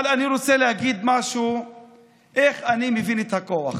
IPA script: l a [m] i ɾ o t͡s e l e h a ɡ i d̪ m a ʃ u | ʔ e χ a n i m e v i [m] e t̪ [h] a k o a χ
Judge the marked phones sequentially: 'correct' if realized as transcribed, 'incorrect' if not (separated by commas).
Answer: incorrect, incorrect, correct